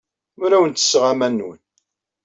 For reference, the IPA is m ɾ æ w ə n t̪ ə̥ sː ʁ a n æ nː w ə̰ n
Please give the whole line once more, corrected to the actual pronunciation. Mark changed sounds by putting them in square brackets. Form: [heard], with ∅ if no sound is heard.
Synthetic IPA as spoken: m ɾ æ w ə n t̪ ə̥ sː ʁ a [m] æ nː w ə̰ n

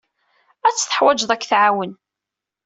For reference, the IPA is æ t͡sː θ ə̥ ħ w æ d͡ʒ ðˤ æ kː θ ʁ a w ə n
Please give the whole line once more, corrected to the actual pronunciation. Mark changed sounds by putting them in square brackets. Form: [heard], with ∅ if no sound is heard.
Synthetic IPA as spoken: æ t͡sː θ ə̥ ħ w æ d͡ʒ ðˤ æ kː θ [ʕ] a w ə n

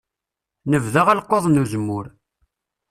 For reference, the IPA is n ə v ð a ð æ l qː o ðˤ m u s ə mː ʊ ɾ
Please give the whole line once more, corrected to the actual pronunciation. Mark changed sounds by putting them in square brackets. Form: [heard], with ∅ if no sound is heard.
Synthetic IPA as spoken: n ə v ð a [ʁ] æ l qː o ðˤ [n] u [z] ə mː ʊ ɾ

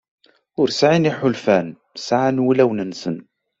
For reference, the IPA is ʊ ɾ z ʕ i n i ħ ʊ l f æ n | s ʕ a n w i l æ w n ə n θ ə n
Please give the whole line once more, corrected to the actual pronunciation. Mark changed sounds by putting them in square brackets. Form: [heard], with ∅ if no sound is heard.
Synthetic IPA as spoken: ʊ ɾ [s] ʕ i n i ħ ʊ l f æ n | s ʕ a n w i l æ w n ə n [s] ə n

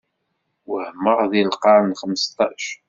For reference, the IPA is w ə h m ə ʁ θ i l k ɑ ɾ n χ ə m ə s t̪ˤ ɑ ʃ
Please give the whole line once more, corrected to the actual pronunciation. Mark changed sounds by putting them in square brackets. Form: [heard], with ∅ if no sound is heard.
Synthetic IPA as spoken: w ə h m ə ʁ [ð] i l [q] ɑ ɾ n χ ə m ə s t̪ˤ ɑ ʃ

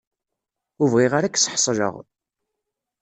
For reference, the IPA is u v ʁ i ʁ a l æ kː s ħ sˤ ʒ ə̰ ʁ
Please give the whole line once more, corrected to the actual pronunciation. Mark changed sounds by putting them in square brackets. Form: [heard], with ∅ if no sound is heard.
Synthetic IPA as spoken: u v ʁ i ʁ a [ɾ] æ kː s ħ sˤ ʒ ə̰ ʁ

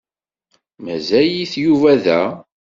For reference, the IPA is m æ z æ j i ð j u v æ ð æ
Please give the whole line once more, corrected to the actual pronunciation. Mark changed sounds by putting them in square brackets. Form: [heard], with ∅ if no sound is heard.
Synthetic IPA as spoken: m æ z æ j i [θ] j u v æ ð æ

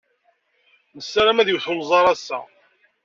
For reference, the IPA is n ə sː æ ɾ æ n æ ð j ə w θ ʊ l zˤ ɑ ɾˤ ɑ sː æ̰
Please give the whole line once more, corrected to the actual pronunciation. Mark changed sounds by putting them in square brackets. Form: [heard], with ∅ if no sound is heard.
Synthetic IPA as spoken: n ə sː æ ɾ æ [m] æ ð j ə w θ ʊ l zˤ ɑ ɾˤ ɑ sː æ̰

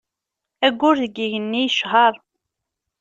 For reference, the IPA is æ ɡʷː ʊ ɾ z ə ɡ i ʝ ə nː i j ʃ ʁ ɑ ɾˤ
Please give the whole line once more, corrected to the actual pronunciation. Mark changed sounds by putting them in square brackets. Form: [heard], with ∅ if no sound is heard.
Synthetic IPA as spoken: æ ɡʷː ʊ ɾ [ð] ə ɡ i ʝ ə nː i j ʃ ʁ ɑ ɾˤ

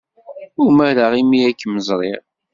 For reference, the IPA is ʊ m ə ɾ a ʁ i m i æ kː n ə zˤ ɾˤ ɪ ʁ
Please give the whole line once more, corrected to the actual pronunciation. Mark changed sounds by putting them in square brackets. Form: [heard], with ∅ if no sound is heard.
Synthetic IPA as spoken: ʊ m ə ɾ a ʁ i m i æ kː [m] ə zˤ ɾˤ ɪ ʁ

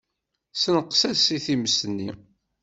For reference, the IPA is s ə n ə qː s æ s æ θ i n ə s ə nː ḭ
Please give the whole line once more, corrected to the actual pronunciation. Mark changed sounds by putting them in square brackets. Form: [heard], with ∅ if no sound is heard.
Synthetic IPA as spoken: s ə n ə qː s æ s [i] θ i [m] ə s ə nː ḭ

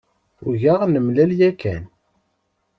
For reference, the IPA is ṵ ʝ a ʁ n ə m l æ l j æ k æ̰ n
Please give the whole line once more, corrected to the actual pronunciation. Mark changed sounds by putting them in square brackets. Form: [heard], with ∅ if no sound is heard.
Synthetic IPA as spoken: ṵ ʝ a ʁ n ə m l æ l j æ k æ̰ n

